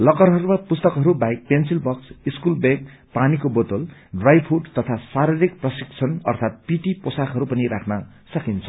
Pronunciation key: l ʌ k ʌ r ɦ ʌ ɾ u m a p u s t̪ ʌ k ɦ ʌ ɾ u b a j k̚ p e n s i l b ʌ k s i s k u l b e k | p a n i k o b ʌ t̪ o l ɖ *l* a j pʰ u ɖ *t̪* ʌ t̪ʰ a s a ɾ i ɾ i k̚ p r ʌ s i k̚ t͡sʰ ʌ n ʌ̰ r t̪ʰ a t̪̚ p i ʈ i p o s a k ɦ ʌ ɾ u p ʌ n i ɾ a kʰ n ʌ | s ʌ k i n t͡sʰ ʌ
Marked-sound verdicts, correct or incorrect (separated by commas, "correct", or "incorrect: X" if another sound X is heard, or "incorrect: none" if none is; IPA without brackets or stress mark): incorrect: r, correct